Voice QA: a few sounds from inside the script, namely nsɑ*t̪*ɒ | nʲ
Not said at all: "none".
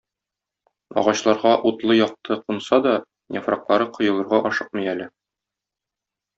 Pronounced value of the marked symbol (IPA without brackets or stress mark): d̪